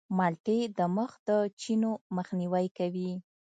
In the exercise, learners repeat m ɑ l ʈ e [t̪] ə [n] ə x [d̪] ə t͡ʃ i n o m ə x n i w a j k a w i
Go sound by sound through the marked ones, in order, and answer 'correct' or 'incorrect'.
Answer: incorrect: d̪, incorrect: m, correct

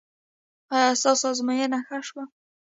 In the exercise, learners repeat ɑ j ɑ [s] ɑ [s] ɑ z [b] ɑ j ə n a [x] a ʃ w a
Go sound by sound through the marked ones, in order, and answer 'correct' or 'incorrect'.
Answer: correct, correct, incorrect: m, correct

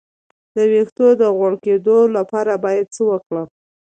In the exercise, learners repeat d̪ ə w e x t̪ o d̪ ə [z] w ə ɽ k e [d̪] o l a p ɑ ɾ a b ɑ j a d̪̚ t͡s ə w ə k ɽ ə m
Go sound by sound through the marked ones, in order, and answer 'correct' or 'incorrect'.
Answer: incorrect: ɣ, correct

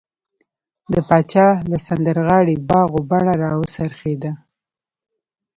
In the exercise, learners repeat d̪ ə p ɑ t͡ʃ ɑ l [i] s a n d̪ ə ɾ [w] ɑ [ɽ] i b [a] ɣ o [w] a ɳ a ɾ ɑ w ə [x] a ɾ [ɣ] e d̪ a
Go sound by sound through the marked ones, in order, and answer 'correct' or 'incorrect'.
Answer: incorrect: a, incorrect: ɣ, correct, incorrect: ɑ, incorrect: b, incorrect: s, incorrect: x

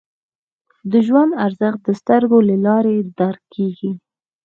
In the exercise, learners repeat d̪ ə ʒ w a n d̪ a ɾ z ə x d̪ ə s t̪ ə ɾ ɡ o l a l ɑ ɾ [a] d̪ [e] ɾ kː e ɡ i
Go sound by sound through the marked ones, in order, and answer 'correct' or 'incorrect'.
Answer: incorrect: e, incorrect: a

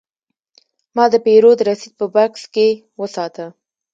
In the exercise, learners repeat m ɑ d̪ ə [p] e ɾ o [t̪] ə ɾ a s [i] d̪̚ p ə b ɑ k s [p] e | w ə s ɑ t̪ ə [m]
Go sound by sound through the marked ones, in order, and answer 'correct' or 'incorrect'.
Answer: correct, incorrect: d̪, correct, incorrect: k, incorrect: none

